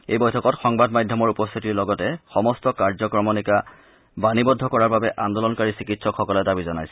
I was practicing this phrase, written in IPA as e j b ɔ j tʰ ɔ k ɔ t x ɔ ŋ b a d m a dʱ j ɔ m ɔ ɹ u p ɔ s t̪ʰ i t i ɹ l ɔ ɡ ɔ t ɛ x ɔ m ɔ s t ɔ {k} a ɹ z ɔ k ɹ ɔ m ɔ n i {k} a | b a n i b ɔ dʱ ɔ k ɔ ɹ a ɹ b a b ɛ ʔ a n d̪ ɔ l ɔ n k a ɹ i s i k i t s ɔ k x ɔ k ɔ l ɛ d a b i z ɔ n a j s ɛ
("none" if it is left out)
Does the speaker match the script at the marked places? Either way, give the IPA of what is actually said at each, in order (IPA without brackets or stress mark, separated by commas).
k, k